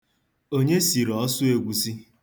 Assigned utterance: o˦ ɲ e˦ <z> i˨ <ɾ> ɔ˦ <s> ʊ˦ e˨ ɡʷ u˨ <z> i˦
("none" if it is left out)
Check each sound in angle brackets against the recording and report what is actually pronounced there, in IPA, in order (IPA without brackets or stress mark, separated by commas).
s, ɾ, s, s